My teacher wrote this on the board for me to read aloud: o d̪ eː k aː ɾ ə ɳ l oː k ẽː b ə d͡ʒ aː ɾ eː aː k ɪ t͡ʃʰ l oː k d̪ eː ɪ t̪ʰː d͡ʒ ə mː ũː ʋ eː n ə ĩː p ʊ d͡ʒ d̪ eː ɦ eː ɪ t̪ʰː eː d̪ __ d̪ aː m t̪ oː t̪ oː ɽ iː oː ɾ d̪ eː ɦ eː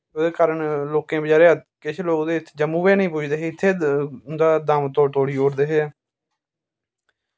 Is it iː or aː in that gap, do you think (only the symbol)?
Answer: aː